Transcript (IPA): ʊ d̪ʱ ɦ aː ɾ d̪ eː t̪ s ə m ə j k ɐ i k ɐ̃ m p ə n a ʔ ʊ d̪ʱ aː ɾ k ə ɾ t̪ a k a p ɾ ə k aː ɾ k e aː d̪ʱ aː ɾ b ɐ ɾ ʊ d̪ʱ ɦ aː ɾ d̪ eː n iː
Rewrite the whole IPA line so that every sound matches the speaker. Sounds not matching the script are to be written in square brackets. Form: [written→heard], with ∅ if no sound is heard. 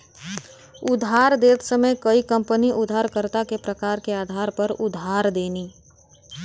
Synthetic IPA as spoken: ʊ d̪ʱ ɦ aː ɾ d̪ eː t̪ s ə m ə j k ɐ i k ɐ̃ m p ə n [a→i] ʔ ʊ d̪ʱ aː ɾ k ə ɾ t̪ a k [a→e] p ɾ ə k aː ɾ k e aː d̪ʱ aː ɾ [b→p] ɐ ɾ ʊ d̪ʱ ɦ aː ɾ d̪ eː n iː